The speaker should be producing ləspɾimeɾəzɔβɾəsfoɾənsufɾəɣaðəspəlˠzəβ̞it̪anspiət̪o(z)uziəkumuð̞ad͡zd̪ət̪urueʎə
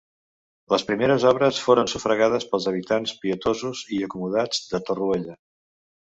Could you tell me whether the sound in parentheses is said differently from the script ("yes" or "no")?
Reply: no